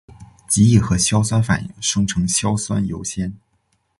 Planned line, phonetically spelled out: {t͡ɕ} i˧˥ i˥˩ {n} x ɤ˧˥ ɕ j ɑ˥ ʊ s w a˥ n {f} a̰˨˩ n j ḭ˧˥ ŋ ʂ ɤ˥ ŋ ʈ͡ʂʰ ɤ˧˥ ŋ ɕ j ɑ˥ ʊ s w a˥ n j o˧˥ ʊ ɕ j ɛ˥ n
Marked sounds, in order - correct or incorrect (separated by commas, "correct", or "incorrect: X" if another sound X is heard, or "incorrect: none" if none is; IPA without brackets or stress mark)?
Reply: correct, incorrect: none, correct